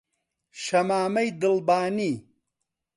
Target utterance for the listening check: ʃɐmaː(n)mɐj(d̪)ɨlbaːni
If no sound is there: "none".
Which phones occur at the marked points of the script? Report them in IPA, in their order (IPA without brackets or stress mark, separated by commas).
none, d̪